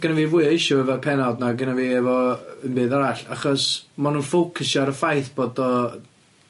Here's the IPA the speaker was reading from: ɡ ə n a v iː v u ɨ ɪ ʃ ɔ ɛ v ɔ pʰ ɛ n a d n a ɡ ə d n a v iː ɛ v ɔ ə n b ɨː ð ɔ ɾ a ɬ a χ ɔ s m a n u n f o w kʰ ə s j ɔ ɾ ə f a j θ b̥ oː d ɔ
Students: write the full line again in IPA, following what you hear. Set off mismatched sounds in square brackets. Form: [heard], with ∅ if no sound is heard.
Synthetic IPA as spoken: ɡ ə n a v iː v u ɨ ɪ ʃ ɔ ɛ v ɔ pʰ ɛ n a d n a ɡ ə [∅] n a v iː ɛ v ɔ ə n b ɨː ð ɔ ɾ a ɬ a χ ɔ s m a n u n f o w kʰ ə s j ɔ ɾ ə f a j θ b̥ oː d ɔ